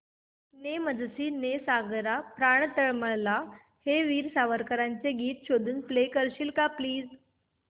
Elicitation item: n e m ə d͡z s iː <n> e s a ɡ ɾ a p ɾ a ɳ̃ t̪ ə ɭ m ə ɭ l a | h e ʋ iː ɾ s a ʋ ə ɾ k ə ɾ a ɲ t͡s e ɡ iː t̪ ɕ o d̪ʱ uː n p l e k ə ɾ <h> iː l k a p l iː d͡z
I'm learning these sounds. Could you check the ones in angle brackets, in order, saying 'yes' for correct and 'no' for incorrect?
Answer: yes, no

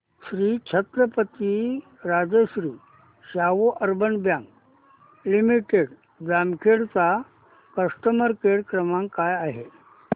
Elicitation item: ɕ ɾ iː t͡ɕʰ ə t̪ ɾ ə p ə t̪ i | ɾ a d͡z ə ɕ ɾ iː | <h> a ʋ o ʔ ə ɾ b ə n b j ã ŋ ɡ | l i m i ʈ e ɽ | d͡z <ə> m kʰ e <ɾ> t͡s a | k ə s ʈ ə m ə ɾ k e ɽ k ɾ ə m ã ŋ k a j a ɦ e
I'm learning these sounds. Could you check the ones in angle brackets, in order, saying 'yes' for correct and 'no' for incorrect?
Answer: no, no, no

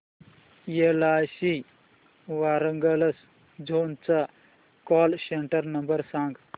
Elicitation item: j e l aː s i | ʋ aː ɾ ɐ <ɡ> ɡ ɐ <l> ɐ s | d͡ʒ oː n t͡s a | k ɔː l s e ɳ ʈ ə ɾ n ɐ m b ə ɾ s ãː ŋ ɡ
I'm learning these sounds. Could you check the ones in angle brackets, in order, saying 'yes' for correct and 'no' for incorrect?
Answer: no, yes

